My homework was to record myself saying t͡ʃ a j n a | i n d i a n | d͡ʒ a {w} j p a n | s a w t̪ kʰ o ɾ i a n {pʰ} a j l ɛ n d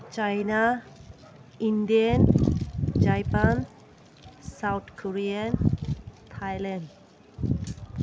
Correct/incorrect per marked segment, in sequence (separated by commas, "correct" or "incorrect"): incorrect, incorrect